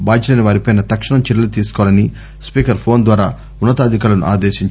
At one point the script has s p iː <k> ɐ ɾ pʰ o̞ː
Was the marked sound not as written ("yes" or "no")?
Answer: no